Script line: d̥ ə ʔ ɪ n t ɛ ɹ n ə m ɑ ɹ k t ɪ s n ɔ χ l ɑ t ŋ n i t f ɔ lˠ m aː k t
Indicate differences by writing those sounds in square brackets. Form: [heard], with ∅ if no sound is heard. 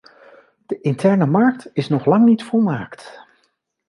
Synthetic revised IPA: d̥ ə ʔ ɪ n t ɛ ɹ n ə m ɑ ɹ k t ɪ s n ɔ χ l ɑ [∅] ŋ n i t f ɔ lˠ m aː k t

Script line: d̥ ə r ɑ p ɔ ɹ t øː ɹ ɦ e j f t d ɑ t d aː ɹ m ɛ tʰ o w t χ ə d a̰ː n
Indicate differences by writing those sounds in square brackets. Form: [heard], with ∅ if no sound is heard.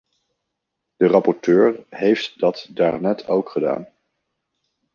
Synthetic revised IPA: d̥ ə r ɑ p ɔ ɹ t øː ɹ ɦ e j f t d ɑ t d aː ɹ [n] ɛ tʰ o w [k] χ ə d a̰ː n

